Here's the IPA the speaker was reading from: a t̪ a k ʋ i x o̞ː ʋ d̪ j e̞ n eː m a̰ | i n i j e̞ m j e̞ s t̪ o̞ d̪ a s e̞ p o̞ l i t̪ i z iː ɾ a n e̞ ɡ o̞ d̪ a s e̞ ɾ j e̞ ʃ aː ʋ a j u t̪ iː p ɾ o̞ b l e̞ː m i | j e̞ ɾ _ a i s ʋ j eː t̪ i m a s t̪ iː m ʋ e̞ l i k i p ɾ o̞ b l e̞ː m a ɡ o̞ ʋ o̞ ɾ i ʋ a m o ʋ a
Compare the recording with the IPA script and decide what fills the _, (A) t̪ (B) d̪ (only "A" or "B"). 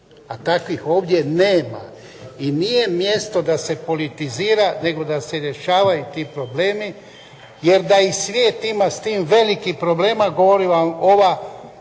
B